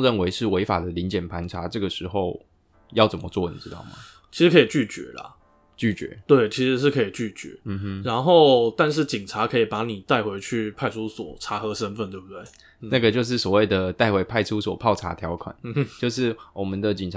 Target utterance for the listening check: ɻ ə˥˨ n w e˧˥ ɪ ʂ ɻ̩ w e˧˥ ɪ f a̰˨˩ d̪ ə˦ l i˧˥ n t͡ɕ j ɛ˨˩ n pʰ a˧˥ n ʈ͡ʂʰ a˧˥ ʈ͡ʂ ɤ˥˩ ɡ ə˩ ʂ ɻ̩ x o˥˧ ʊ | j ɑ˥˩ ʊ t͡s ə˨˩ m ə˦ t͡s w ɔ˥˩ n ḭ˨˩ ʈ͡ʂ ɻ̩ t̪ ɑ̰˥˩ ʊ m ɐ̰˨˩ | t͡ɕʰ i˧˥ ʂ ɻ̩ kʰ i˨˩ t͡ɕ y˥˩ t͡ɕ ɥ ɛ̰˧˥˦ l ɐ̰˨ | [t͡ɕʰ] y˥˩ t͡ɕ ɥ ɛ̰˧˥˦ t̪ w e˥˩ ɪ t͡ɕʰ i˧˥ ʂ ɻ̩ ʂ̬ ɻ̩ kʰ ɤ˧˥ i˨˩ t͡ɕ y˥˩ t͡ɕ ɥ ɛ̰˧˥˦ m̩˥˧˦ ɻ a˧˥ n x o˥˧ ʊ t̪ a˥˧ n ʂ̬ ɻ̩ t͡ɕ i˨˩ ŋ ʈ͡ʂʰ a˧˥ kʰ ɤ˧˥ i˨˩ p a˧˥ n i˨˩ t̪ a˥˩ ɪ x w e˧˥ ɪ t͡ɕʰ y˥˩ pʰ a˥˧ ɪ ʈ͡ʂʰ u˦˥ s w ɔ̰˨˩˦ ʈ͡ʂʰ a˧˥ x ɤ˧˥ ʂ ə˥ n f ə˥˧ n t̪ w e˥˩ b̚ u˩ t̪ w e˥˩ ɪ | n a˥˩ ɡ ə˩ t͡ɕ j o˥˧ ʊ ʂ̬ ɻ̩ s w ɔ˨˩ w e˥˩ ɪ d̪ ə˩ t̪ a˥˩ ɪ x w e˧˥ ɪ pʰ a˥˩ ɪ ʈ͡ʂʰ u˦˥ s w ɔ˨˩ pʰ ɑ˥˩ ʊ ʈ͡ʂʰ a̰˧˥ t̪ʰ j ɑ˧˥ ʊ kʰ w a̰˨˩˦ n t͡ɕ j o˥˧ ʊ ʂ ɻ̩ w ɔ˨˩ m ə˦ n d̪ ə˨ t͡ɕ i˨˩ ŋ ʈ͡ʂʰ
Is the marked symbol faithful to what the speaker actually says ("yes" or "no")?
no